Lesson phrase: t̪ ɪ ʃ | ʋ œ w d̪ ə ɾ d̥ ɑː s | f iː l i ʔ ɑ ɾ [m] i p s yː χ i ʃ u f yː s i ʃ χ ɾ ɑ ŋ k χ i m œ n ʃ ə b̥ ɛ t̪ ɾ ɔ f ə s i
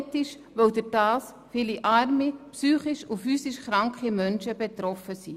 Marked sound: correct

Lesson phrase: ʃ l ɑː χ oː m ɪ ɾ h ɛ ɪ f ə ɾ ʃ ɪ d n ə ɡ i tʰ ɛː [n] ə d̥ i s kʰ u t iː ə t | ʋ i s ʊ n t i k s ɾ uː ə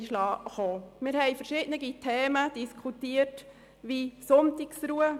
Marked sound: incorrect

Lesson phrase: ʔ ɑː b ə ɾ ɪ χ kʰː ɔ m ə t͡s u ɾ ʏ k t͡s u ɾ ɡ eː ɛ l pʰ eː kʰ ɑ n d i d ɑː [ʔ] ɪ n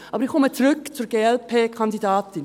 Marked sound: incorrect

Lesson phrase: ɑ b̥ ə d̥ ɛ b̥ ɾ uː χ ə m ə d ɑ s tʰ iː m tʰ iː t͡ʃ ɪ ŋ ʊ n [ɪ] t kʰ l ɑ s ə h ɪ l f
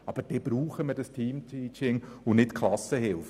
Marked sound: correct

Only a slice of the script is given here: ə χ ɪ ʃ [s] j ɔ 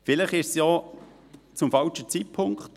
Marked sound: correct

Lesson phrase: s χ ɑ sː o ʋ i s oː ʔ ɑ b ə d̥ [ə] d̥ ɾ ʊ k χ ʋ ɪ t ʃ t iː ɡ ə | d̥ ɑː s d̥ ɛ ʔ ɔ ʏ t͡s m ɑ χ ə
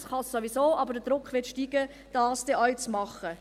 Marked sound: correct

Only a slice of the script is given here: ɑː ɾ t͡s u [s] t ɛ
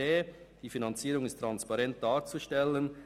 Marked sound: incorrect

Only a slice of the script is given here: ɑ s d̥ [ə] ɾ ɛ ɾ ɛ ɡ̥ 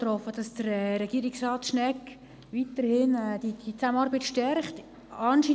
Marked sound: correct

